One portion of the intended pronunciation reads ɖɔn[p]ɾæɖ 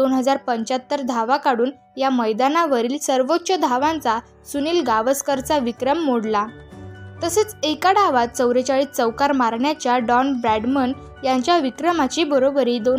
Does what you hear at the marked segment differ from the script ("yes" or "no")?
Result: yes